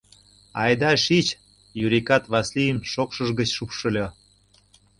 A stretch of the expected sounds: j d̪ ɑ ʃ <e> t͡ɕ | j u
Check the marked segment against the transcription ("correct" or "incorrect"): incorrect